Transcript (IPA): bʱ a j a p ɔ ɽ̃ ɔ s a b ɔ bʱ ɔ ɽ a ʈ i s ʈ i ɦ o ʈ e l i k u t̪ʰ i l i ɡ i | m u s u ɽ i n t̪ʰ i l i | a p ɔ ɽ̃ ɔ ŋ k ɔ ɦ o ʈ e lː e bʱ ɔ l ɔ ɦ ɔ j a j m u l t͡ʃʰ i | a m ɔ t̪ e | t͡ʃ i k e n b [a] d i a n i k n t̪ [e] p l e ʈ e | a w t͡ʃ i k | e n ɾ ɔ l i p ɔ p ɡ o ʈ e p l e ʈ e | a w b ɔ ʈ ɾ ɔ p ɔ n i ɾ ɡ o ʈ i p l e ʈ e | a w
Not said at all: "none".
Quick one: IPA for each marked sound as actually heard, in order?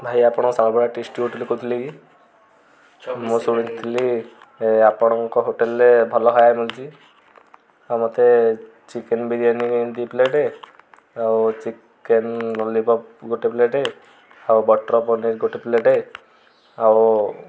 i, i

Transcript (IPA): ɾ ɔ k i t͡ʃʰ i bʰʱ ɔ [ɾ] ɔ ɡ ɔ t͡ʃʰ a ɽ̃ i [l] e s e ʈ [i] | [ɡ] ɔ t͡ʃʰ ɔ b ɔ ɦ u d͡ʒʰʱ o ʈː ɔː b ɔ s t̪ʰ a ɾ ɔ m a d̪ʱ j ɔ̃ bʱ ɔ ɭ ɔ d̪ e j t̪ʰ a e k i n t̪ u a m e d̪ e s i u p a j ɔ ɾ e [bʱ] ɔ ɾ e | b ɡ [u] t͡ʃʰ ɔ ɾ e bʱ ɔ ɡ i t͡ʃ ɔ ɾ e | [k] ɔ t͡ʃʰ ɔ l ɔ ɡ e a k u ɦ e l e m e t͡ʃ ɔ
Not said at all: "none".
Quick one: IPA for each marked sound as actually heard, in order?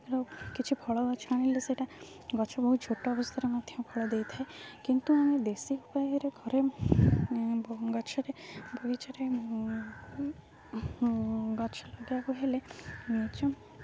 ɭ, l, a, ɡ, ɡʱ, ɔ, ɡ

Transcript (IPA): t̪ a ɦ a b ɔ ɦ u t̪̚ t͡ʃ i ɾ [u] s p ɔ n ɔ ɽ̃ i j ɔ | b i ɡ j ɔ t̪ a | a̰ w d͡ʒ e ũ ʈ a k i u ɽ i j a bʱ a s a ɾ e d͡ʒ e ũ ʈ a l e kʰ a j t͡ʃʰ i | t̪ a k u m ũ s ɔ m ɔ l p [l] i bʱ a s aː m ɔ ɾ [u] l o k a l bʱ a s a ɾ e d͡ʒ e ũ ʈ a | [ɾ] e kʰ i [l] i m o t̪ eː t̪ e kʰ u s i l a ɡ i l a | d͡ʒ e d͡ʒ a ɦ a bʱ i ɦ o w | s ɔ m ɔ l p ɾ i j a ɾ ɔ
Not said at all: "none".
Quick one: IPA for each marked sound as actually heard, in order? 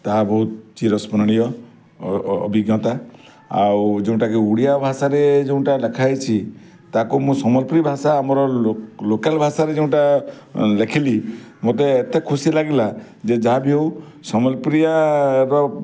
ɔ, ɾ, ɔ, l, l

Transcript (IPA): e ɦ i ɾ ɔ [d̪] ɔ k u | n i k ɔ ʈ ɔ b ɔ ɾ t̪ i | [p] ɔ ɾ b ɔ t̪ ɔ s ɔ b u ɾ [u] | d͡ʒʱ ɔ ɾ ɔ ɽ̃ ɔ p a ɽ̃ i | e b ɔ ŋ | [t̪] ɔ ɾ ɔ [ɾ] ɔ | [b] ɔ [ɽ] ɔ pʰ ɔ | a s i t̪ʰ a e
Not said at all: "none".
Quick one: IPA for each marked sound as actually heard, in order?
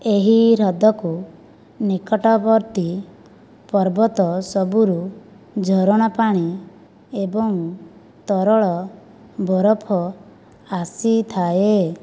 d̪, p, u, t̪, ɭ, b, ɾ

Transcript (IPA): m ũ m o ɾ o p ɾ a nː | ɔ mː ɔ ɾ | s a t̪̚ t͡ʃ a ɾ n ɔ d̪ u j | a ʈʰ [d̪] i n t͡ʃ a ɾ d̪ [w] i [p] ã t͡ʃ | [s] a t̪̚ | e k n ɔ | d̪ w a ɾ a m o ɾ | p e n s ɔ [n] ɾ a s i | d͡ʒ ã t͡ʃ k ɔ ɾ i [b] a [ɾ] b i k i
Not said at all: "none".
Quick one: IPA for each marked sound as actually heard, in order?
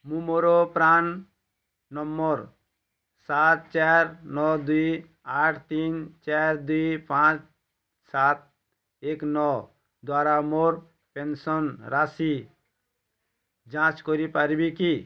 t̪, u, p, s, n, p, ɾ

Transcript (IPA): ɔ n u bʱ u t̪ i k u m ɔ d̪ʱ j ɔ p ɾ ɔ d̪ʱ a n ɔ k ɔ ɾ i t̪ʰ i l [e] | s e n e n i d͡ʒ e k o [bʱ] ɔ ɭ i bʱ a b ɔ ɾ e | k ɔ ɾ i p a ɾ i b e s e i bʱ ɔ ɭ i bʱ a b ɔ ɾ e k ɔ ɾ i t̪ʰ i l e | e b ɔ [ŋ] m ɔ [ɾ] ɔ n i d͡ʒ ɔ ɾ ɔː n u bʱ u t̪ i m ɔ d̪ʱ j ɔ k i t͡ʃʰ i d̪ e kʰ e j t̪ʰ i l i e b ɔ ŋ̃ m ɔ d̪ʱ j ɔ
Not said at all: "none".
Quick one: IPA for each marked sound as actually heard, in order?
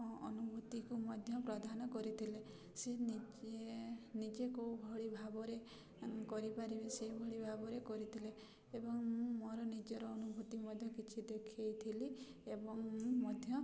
e, bʱ, ŋ, ɾ

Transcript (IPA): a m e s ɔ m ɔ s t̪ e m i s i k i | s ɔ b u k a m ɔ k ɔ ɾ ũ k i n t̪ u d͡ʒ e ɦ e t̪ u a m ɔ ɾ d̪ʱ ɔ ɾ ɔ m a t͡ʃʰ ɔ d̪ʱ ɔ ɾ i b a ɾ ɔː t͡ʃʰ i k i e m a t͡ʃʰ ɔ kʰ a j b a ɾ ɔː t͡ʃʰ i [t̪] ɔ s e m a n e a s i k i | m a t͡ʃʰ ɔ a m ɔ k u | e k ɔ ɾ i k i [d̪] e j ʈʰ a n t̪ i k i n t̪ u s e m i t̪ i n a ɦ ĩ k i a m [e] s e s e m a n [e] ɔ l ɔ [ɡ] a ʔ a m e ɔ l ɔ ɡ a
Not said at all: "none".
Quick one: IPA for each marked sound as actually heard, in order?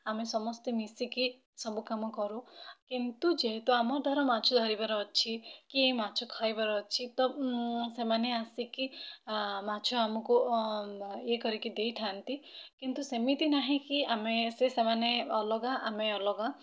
t̪, d̪, e, e, ɡ

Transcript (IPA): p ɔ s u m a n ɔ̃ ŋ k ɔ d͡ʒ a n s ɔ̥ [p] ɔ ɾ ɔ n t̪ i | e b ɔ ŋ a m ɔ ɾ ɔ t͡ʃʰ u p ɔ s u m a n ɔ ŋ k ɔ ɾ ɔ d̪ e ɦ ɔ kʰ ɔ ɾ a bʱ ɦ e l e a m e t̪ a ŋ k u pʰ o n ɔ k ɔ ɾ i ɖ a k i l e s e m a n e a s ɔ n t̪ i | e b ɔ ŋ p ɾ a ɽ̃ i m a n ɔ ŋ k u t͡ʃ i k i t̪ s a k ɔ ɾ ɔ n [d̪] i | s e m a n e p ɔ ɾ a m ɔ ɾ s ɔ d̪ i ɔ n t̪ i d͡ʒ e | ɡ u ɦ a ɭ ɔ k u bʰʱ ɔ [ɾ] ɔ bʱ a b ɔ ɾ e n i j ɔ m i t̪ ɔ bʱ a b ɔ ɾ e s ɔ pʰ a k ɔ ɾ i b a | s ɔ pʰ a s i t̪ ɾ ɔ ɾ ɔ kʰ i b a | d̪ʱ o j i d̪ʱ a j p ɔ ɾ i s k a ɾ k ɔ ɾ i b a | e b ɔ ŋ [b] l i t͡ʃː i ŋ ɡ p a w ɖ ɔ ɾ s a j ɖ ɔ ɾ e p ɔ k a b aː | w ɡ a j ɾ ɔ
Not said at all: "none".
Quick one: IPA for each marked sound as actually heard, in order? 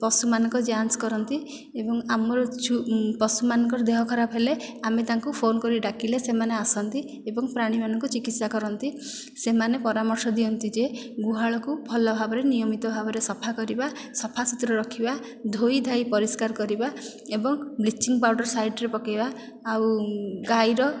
k, t̪, l, b

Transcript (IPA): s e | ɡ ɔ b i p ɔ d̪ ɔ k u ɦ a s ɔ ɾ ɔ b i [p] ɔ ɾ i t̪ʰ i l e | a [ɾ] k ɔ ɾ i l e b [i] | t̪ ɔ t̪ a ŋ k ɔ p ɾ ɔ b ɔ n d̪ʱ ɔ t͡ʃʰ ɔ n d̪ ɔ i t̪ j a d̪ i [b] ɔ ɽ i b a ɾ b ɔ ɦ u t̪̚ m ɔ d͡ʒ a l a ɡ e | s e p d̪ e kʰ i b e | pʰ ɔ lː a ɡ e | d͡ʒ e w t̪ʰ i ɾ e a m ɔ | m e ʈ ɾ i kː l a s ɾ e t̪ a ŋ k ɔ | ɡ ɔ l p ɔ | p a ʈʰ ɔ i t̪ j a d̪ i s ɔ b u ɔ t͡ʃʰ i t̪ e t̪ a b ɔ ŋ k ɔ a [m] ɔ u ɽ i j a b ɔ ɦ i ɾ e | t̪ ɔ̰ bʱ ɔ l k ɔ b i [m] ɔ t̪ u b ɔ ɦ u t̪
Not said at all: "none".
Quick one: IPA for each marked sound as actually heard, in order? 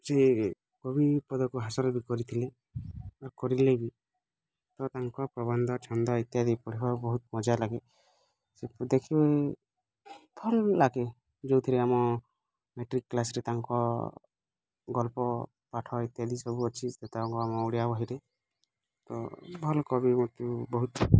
k, ɾ, i, p, m, m

